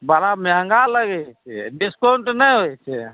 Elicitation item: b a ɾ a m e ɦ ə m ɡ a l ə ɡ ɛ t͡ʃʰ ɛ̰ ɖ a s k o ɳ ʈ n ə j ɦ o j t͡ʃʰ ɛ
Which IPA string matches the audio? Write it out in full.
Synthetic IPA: b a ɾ a m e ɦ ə ŋ ɡ a l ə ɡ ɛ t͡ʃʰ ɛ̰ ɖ i s k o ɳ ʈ n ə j ɦ o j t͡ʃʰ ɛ